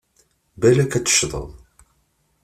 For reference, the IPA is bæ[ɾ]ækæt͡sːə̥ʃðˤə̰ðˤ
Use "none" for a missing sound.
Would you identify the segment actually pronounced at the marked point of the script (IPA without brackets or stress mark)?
l